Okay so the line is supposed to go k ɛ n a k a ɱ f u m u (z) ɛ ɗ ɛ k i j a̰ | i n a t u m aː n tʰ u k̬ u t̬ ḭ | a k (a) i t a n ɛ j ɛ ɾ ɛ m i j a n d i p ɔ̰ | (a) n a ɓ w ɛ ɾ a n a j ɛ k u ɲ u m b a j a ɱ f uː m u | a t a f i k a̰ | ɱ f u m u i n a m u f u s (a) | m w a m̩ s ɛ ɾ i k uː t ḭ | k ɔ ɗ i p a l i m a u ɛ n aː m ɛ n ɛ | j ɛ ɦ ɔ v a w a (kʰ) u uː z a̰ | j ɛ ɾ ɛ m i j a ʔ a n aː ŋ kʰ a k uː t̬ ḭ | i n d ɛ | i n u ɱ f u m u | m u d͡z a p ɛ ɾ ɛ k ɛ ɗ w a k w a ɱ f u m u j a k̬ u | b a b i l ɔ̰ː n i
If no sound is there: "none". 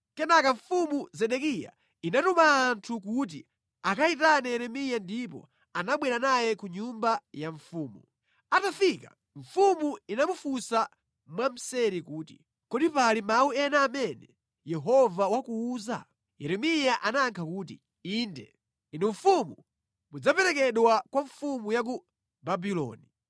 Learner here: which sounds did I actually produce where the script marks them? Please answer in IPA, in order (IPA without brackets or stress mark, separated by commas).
z, a, a, a, k